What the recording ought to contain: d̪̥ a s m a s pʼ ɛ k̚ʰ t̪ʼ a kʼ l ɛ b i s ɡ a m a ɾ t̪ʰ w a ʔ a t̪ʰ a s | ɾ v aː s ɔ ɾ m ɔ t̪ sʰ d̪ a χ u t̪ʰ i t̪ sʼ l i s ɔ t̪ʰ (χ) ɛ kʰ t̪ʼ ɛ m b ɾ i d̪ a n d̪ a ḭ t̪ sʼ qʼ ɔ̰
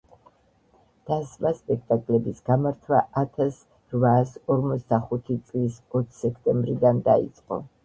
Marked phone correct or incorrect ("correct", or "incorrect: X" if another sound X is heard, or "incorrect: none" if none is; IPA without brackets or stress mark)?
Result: incorrect: s